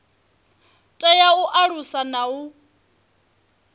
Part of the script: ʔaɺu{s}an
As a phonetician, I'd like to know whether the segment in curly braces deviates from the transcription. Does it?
no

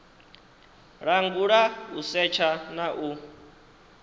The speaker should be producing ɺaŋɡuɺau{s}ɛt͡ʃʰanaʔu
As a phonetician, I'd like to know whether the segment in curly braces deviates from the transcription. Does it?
no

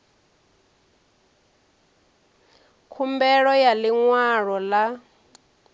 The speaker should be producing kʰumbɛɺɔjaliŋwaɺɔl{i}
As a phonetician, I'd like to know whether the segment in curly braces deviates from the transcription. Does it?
yes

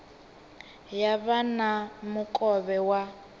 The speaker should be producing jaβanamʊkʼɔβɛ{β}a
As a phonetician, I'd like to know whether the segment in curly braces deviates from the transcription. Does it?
yes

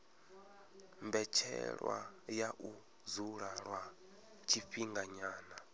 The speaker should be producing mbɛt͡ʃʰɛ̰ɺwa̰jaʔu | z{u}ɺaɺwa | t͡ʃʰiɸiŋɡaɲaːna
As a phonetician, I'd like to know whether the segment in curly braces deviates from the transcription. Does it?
no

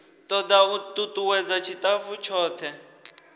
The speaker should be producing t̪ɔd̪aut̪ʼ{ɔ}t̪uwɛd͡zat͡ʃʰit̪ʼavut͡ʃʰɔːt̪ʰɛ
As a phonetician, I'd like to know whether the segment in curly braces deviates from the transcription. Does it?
yes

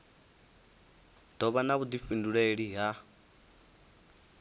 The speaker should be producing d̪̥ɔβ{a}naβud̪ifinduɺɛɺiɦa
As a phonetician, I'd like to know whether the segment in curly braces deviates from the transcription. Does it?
no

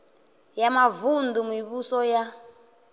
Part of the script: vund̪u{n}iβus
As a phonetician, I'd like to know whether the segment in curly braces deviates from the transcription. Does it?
yes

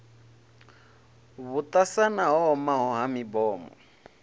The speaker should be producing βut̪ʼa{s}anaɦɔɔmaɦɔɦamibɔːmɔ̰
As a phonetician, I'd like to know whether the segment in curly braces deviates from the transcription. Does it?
no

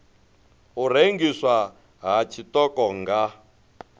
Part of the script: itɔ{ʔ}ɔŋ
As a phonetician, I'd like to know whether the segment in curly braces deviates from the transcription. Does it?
yes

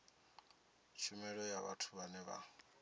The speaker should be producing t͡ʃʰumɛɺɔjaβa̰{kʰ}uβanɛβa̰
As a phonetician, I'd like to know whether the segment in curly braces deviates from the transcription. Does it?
yes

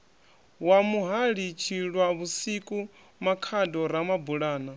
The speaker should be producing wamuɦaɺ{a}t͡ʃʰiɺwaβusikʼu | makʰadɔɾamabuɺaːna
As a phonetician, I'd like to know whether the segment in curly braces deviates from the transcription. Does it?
yes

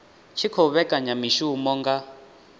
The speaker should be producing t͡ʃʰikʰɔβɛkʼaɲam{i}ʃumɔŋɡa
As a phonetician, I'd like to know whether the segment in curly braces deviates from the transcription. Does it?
no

